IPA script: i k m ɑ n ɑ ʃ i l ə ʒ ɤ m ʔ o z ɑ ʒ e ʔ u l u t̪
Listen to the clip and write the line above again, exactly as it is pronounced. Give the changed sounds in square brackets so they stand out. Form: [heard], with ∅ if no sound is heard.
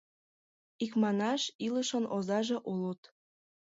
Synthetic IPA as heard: i k m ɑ n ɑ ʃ i l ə [ʃ] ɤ [n] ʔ o z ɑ ʒ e ʔ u l u t̪